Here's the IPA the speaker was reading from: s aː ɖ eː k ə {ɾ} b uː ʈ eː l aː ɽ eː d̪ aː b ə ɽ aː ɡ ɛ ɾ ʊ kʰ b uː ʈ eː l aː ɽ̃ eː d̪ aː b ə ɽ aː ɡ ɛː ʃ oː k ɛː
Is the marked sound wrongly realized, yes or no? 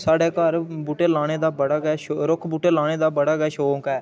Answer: no